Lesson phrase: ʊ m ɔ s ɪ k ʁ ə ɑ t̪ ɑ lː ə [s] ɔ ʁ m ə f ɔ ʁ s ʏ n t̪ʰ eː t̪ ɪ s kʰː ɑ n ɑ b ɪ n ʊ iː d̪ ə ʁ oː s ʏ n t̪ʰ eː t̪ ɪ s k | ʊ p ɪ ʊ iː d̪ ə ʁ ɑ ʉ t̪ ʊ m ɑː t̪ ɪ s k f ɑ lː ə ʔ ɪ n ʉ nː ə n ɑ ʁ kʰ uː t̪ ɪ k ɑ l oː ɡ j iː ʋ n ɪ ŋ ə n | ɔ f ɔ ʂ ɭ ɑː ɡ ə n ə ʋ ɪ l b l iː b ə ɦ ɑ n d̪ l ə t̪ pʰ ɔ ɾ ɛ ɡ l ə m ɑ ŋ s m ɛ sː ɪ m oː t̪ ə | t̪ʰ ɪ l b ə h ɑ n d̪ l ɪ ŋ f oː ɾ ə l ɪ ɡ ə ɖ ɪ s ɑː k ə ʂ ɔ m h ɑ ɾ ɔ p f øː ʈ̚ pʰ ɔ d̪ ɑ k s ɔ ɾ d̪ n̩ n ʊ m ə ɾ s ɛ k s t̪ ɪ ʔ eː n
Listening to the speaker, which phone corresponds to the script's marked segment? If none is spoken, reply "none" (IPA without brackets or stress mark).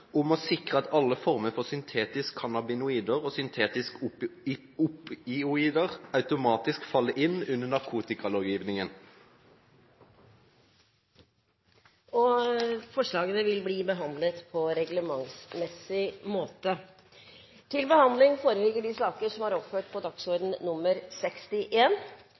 f